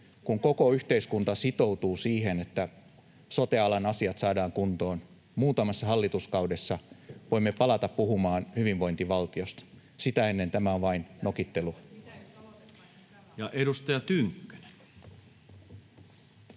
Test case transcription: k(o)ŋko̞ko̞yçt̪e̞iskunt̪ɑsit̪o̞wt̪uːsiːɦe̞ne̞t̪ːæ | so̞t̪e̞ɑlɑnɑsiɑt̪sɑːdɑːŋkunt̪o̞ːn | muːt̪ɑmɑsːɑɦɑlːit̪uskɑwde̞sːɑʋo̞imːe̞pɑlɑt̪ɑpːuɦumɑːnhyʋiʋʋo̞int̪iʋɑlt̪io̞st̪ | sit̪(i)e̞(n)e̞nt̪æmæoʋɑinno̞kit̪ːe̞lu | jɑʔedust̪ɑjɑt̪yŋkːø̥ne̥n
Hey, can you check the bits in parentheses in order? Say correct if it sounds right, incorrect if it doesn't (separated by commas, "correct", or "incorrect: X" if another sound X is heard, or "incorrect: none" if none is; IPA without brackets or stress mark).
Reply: incorrect: u, incorrect: æ, incorrect: nː